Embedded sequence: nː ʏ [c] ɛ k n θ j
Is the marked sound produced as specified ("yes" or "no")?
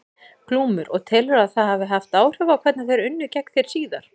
yes